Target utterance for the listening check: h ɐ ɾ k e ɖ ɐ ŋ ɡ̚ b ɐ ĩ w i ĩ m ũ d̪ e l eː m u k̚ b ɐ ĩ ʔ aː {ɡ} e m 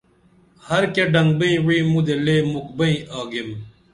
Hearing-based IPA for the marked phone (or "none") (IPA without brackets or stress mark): ɡ